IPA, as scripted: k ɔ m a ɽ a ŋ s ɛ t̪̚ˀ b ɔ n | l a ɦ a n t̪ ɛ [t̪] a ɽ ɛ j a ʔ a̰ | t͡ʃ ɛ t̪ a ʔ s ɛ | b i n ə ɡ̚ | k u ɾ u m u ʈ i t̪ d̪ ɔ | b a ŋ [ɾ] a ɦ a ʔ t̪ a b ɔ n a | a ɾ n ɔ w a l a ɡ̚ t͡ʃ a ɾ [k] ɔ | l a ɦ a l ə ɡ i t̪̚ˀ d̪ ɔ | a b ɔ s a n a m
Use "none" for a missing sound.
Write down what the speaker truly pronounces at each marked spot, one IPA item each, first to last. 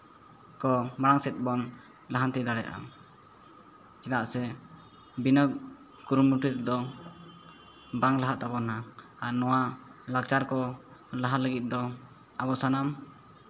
d̪, l, k

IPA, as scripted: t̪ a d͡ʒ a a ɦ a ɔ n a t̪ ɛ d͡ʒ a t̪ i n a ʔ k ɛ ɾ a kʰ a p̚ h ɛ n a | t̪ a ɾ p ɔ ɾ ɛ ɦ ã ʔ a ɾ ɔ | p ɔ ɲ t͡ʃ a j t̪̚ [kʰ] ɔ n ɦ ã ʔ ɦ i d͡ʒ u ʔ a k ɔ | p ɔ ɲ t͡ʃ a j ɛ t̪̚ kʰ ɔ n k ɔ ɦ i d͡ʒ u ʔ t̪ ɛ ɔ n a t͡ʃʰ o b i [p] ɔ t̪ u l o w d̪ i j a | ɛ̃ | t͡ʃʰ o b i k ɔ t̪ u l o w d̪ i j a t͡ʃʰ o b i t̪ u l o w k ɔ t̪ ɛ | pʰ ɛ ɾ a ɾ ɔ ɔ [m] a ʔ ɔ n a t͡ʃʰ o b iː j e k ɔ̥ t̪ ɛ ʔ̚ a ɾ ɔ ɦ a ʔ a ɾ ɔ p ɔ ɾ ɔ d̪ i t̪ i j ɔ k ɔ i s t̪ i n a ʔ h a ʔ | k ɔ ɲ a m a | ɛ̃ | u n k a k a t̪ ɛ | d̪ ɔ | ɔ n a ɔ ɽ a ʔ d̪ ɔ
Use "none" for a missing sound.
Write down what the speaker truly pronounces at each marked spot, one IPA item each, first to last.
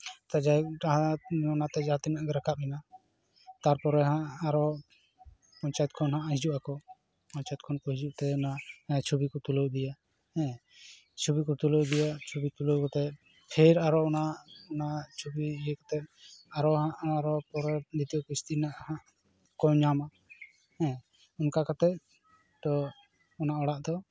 kʰ, k, n

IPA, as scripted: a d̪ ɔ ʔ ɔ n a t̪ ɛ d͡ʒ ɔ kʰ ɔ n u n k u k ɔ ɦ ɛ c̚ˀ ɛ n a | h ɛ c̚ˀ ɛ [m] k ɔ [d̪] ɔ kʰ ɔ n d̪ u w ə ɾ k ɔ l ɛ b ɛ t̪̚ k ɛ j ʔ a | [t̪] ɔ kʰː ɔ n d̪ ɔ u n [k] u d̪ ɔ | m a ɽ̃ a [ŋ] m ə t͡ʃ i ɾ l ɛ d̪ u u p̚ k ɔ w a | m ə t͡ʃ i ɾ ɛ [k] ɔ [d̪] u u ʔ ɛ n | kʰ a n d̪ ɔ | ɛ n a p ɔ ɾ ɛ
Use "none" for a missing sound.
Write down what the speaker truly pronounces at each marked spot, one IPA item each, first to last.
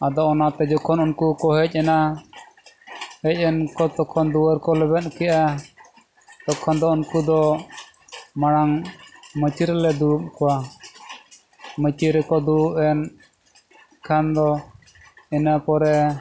n, t̪, t̪, k, ŋ, k, d̪

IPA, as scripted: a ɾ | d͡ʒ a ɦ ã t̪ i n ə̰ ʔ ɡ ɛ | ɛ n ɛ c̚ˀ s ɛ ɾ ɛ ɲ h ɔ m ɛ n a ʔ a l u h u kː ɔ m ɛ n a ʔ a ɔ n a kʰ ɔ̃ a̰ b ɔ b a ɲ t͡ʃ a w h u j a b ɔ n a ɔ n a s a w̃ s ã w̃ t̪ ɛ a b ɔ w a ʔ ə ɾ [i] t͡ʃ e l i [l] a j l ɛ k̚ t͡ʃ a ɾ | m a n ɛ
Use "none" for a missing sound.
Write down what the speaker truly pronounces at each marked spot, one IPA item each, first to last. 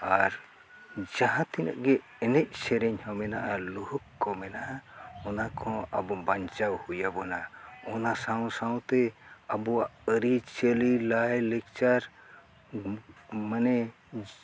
i, l

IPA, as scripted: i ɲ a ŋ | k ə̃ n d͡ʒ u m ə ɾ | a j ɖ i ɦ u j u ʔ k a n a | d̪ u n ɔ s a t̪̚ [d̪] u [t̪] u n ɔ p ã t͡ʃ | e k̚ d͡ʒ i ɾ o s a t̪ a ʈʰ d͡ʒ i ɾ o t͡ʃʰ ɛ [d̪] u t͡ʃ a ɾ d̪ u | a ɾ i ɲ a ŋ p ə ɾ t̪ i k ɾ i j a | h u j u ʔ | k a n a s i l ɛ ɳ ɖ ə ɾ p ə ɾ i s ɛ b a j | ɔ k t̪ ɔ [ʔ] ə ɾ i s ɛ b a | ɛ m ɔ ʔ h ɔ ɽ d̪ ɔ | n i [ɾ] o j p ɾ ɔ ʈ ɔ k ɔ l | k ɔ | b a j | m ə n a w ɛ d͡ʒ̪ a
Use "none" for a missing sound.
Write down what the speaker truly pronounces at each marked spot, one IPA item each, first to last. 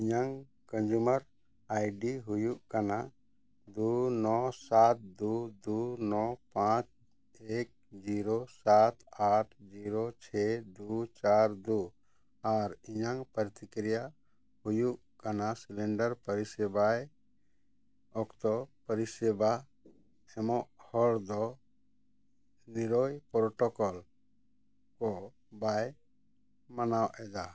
d̪, d̪, d̪, p, ɾ

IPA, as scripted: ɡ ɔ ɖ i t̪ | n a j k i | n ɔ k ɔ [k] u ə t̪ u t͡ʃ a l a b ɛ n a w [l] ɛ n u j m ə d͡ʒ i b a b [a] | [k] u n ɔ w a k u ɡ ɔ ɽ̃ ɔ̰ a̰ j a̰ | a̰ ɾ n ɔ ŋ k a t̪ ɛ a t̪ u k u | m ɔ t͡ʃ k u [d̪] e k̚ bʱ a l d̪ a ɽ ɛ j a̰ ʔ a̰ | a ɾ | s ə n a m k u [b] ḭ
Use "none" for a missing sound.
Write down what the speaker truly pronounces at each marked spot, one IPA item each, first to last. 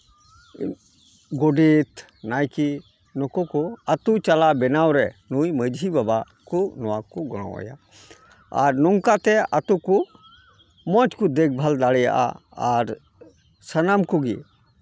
k, ɾ, a, k, d̪, ɡ

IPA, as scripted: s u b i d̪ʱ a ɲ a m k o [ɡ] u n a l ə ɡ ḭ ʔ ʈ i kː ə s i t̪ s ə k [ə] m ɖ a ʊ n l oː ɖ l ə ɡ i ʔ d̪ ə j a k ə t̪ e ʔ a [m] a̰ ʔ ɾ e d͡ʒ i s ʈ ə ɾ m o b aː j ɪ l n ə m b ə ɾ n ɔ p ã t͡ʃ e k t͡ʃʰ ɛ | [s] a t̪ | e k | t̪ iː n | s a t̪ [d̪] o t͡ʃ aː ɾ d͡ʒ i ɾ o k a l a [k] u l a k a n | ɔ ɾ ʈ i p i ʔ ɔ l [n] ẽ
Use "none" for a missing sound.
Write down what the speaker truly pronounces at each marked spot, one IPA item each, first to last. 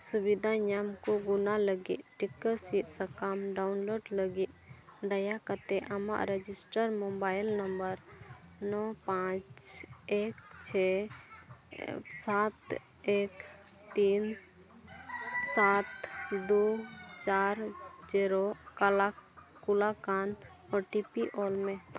ɡ, a, m, s, d̪, k, m

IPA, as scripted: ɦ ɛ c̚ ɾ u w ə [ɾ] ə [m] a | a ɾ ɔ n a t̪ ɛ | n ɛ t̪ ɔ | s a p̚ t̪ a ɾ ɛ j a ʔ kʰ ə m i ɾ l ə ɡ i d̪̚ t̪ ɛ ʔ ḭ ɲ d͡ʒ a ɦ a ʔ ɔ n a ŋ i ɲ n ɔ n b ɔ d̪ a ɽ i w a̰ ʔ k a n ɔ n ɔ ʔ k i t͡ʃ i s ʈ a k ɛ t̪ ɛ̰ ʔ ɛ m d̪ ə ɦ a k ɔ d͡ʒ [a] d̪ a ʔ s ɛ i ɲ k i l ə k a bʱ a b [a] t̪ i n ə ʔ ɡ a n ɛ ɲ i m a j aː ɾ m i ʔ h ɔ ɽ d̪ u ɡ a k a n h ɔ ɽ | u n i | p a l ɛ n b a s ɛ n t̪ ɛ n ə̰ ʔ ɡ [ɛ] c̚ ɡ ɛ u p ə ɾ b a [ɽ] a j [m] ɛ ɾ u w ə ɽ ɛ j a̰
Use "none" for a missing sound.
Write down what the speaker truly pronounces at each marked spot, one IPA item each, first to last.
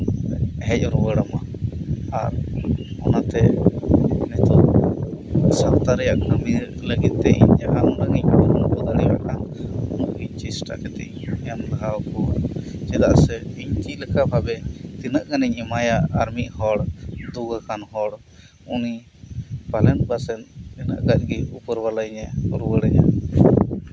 ɽ, m, ɛ, ɛ, a, l, ɲ

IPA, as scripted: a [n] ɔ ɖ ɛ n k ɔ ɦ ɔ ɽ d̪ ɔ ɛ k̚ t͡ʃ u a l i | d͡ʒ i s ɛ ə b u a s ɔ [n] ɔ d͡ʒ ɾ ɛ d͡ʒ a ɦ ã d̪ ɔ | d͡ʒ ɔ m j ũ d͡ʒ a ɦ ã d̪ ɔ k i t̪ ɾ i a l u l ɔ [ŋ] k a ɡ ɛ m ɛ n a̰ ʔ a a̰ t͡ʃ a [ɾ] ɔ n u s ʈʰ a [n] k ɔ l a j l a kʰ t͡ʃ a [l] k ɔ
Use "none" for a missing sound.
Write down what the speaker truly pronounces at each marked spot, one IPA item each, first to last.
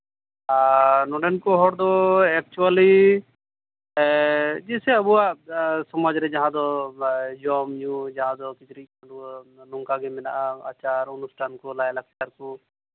n, m, ŋ, ɾ, n, ɾ

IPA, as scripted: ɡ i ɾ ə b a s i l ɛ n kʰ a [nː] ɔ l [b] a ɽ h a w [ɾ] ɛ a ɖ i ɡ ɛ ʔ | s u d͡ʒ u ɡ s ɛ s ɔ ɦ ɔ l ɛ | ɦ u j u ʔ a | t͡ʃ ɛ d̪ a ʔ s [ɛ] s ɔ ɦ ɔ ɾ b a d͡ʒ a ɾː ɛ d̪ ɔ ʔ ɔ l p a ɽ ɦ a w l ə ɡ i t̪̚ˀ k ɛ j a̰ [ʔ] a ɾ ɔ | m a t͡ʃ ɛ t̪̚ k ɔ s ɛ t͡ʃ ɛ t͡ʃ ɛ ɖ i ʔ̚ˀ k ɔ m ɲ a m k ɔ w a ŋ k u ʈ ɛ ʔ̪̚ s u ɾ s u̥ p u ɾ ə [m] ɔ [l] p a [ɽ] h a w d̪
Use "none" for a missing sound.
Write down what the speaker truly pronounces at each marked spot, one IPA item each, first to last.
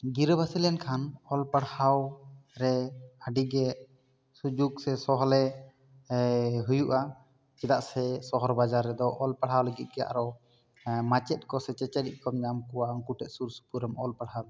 n, p, ɾ, ɛ, ʔ, m, l, ɽ

